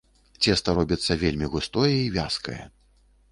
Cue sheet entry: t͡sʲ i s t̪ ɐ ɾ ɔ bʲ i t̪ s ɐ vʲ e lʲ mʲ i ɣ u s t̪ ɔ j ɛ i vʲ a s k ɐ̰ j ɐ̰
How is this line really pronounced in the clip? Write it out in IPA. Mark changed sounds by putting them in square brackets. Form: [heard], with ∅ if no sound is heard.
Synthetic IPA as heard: t͡sʲ [ɛ] s t̪ ɐ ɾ ɔ bʲ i t̪ [sː] ɐ vʲ e lʲ mʲ i ɣ u s t̪ ɔ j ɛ i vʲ a s k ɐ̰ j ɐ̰

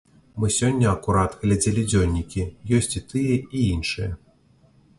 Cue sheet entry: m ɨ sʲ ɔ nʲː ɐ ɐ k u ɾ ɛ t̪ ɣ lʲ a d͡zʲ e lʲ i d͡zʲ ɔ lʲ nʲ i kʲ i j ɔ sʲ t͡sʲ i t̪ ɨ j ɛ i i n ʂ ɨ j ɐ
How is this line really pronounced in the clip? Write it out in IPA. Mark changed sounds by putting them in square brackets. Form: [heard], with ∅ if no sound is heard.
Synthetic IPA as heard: m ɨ sʲ ɔ nʲː ɐ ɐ k u ɾ [a] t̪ ɣ lʲ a d͡zʲ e lʲ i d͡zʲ ɔ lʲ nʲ i kʲ i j ɔ sʲ t͡sʲ i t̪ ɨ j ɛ i i n ʂ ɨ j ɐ

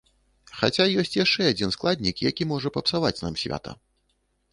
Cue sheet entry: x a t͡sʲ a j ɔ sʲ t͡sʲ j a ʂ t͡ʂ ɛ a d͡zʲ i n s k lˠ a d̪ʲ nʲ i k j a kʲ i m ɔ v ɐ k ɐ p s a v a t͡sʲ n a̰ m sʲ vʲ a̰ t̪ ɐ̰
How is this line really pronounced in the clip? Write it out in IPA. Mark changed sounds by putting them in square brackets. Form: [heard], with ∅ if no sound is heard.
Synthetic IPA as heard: x a t͡sʲ a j ɔ sʲ t͡sʲ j a ʂ t͡ʂ ɛ a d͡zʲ i n s k lˠ a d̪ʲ nʲ i k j a kʲ i m ɔ [ʐ] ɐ [p] ɐ p s a v a t͡sʲ n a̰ m sʲ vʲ a̰ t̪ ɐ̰

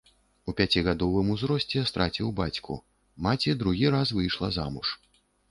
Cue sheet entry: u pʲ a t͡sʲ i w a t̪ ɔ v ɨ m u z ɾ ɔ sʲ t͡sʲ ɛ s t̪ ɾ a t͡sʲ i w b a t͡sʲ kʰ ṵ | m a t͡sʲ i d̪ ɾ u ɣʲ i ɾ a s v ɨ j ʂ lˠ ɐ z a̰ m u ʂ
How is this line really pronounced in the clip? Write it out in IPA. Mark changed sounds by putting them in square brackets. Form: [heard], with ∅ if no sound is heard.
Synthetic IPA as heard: u pʲ a t͡sʲ i [ɣ] a [d̪] ɔ v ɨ m u z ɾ ɔ sʲ t͡sʲ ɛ s t̪ ɾ a t͡sʲ i w b a t͡sʲ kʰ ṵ | m a t͡sʲ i d̪ ɾ u ɣʲ i ɾ a s v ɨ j ʂ lˠ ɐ z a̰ m u ʂ

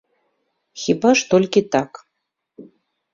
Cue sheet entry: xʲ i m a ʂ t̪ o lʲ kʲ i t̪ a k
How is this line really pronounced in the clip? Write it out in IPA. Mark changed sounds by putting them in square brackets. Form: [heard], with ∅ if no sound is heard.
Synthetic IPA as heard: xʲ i [b] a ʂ t̪ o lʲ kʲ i t̪ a k

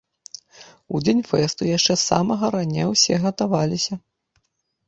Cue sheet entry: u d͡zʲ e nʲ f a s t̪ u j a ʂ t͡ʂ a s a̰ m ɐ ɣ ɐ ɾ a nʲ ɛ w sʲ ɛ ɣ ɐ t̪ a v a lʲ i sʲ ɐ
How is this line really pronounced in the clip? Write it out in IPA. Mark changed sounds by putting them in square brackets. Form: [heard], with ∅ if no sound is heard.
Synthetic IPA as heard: u d͡zʲ e nʲ f [ɛ] s t̪ u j a ʂ t͡ʂ [ɛ] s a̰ m ɐ ɣ ɐ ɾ a nʲ ɛ w sʲ ɛ ɣ ɐ t̪ a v a lʲ i sʲ ɐ

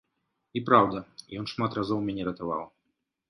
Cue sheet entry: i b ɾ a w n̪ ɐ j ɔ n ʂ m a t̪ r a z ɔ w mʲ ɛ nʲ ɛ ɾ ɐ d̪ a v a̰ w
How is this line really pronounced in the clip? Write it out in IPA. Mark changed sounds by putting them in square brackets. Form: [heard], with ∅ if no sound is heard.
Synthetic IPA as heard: i [p] ɾ a w [d̪] ɐ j ɔ n ʂ m a t̪ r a z ɔ w mʲ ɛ nʲ ɛ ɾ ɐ [t̪] a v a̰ w

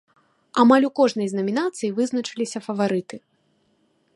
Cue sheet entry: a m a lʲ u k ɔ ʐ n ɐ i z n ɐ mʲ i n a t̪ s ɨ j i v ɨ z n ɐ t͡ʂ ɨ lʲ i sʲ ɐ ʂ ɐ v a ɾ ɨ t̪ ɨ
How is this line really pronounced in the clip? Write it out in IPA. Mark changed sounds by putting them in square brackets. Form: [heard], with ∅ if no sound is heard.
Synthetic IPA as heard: a m a lʲ u k ɔ ʐ n ɐ [j] z n ɐ mʲ i n a t̪ s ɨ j i v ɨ z n ɐ t͡ʂ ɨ lʲ i sʲ ɐ [f] ɐ v a ɾ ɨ t̪ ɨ

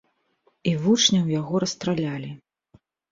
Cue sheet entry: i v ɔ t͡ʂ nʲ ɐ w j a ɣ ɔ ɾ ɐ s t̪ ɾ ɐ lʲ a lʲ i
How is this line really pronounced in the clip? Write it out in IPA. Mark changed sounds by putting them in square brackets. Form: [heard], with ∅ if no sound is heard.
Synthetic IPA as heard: i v [u] t͡ʂ nʲ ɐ w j a ɣ ɔ ɾ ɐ s t̪ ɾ [a] lʲ a lʲ i

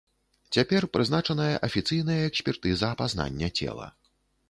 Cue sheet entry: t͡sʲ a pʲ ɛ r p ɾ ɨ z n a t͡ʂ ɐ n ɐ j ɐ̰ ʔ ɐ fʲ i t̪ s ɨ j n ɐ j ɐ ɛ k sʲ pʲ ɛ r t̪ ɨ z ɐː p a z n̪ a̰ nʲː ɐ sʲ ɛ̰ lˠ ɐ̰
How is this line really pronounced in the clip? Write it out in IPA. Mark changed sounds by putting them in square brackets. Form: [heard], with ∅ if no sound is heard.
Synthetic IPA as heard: t͡sʲ a pʲ ɛ r p ɾ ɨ z n a t͡ʂ ɐ n ɐ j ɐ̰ ʔ ɐ fʲ i t̪ s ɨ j n ɐ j ɐ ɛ k sʲ pʲ ɛ r t̪ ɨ z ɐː p a z n̪ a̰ nʲː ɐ [t͡sʲ] ɛ̰ lˠ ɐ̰

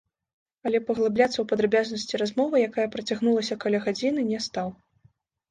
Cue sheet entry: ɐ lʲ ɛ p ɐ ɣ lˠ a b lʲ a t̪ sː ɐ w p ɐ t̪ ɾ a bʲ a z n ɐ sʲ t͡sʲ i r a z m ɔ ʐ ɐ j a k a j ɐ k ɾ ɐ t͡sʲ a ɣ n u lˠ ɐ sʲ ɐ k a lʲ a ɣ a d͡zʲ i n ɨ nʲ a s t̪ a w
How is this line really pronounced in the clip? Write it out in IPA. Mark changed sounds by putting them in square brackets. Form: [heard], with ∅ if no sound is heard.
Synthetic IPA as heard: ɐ lʲ ɛ p ɐ ɣ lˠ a b lʲ a t̪ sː ɐ w p ɐ [d̪] ɾ a bʲ a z n ɐ sʲ t͡sʲ i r a z m ɔ [v] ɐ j a k a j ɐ [p] ɾ ɐ t͡sʲ a ɣ n u lˠ ɐ sʲ ɐ k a lʲ a ɣ a d͡zʲ i n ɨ nʲ [ɛ] s t̪ a w

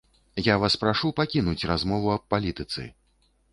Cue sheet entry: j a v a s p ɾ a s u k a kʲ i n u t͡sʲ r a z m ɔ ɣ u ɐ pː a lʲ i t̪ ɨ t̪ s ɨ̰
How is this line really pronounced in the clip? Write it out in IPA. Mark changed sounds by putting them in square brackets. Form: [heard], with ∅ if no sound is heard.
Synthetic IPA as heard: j a v a s p ɾ a [ʂ] u [p] a kʲ i n u t͡sʲ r a z m ɔ [v] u ɐ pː a lʲ i t̪ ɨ t̪ s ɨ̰

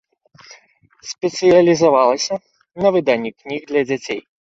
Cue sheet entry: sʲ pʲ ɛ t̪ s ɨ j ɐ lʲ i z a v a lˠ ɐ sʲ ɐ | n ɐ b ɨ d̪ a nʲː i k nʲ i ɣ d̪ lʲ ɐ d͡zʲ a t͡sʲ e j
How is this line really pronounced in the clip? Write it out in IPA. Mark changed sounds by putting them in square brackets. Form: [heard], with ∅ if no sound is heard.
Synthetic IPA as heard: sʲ pʲ ɛ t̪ s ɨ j ɐ lʲ i z a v a lˠ ɐ sʲ ɐ | n ɐ [v] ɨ d̪ a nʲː i k nʲ i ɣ d̪ lʲ ɐ d͡zʲ a t͡sʲ e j

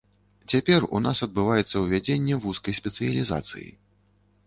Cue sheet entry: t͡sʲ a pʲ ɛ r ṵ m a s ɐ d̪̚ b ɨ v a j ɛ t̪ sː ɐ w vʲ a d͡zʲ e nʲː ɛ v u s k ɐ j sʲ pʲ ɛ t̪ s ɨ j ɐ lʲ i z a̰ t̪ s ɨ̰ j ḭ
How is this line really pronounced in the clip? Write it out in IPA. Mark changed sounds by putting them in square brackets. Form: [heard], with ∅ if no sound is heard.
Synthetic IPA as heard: t͡sʲ a pʲ ɛ r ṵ [n] a s ɐ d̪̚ b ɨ v a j ɛ t̪ sː ɐ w vʲ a d͡zʲ e nʲː ɛ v u s k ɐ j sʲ pʲ ɛ t̪ s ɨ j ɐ lʲ i z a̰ t̪ s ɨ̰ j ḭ

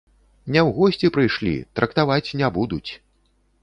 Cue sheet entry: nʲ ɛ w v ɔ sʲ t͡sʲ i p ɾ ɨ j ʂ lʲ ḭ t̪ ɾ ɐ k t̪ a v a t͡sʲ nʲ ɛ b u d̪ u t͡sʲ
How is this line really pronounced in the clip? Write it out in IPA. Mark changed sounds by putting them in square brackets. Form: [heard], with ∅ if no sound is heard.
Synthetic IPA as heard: nʲ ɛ w [ɣ] ɔ sʲ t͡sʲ i p ɾ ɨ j ʂ lʲ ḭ t̪ ɾ ɐ k t̪ a v a t͡sʲ nʲ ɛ b u d̪ u t͡sʲ

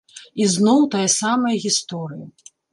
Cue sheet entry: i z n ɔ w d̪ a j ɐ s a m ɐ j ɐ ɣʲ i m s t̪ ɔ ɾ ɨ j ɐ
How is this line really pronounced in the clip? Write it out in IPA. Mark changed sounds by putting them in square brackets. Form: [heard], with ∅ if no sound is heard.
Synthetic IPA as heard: i z n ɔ w [t̪] a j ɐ s a m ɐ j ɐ ɣʲ i [∅] s t̪ ɔ ɾ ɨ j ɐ

